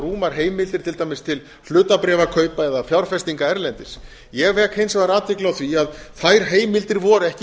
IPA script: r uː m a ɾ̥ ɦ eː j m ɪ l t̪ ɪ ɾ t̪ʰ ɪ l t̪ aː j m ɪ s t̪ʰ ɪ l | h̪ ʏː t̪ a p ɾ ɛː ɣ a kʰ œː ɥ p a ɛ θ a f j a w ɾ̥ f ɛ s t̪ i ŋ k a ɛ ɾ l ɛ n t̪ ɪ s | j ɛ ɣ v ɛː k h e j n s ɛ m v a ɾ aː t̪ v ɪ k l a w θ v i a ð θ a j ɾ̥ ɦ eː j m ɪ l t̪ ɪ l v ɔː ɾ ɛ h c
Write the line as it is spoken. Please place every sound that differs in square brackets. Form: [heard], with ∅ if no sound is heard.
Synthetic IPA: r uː m a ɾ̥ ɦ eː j m ɪ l t̪ ɪ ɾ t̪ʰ ɪ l t̪ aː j m ɪ s t̪ʰ ɪ l | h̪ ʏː t̪ a p ɾ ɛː [v] a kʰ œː ɥ p a ɛ [ð] a f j a w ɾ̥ f ɛ s t̪ i ŋ k a ɛ ɾ l ɛ n t̪ ɪ s | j ɛ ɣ v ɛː k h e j n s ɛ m v a ɾ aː t̪ v ɪ k l a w θ v i a ð θ a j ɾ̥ ɦ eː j m ɪ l t̪ ɪ [ɾ] v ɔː ɾ ɛ h c

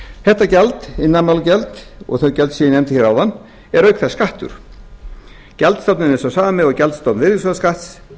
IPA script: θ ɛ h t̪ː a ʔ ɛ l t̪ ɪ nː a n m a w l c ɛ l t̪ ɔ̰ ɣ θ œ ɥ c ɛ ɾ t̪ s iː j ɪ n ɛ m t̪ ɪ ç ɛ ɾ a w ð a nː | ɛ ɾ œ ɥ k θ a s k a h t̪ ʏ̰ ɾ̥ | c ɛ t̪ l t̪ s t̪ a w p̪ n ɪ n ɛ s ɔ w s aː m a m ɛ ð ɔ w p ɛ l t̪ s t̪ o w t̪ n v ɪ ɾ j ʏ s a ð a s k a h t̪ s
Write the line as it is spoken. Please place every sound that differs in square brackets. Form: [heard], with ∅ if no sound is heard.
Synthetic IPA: θ ɛ h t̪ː a [c] ɛ l t̪ ɪ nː a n m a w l c ɛ l t̪ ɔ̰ ɣ θ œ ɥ c ɛ [l] t̪ s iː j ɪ n ɛ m t̪ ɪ ç ɛ ɾ a w ð a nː | ɛ ɾ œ ɥ k θ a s k a h t̪ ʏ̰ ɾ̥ | c ɛ [∅] l t̪ s t̪ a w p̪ n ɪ n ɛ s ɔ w s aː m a m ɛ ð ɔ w [c] ɛ l t̪ s t̪ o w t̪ n v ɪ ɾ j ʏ s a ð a s k a h t̪ s

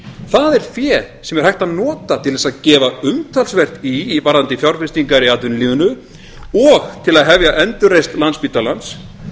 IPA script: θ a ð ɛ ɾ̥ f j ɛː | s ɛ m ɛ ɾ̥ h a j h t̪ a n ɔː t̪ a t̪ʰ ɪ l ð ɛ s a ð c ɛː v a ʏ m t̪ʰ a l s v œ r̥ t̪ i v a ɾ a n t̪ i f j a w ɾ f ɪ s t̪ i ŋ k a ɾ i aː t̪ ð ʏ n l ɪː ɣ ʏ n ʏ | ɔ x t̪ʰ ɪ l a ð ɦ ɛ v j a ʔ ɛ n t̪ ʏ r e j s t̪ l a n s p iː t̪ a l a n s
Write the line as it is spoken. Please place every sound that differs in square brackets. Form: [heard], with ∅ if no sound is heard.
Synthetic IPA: θ a ð ɛ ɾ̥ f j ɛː | s ɛ m ɛ ɾ̥ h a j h t̪ a n ɔː t̪ a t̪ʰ ɪ l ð ɛ s a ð c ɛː v a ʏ m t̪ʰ a l s v [ɛ] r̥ t̪ i v a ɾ a n t̪ [ɪ] f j a w ɾ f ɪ s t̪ i ŋ k a ɾ i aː t̪ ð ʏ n l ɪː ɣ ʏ n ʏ | ɔ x t̪ʰ ɪ l a ð ɦ ɛ v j a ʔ ɛ n t̪ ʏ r e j s t̪ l a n s p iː t̪ a l a n s

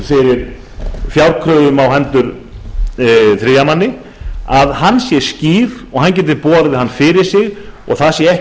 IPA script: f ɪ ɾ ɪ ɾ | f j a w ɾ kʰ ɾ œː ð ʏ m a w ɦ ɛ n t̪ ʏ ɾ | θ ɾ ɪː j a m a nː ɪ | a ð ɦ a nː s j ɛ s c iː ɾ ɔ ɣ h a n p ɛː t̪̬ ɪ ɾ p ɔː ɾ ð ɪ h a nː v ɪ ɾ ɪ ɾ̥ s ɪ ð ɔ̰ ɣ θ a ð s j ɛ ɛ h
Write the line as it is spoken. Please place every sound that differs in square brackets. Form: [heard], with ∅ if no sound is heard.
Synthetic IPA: f ɪ ɾ ɪ ɾ | f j a w ɾ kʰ ɾ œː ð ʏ m a w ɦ ɛ n t̪ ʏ ɾ | θ ɾ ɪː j a m a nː ɪ | a ð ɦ a nː s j ɛ s c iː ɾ ɔ ɣ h a n [c] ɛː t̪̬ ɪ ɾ p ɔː ɾ ð ɪ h a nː [f] ɪ ɾ ɪ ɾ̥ s ɪ [ɣ] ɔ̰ ɣ θ a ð s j ɛ ɛ h

